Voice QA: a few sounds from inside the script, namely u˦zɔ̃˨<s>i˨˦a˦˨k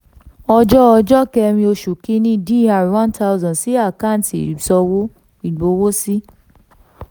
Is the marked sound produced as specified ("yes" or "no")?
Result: yes